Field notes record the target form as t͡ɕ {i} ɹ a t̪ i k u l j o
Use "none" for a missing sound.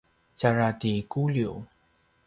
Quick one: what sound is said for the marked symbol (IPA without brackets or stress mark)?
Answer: a